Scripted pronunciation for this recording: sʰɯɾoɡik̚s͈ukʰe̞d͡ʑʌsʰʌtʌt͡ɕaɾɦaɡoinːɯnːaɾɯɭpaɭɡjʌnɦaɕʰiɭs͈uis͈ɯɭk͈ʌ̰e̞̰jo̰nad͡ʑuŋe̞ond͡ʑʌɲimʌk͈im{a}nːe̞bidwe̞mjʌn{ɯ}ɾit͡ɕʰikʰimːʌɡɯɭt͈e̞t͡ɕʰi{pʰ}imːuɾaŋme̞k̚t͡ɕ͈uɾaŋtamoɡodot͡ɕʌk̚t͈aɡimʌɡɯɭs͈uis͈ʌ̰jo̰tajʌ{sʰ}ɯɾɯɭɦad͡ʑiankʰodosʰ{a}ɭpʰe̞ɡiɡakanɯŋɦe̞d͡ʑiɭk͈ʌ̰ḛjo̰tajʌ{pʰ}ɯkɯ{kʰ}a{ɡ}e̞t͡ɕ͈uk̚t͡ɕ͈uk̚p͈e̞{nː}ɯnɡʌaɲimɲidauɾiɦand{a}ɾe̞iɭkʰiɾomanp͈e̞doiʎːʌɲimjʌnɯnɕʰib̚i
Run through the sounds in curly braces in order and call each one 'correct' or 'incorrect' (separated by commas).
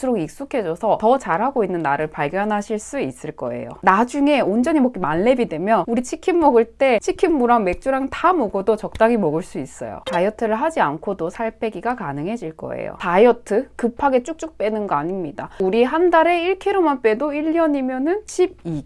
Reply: correct, incorrect, incorrect, incorrect, correct, incorrect, incorrect, correct, incorrect, correct